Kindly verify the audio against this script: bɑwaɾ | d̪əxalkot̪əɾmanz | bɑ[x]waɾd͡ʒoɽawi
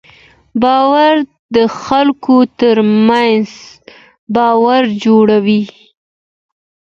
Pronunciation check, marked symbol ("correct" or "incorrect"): incorrect